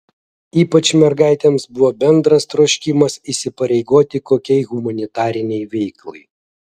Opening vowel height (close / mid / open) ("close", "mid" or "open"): close